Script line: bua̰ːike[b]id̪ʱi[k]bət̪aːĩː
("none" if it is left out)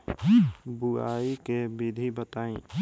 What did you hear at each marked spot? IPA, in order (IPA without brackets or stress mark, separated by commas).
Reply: b, none